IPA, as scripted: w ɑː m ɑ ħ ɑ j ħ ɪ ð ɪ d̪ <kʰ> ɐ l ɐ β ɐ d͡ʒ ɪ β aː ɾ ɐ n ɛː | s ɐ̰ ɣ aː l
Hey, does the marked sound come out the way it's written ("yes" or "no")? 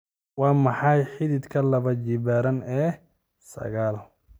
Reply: yes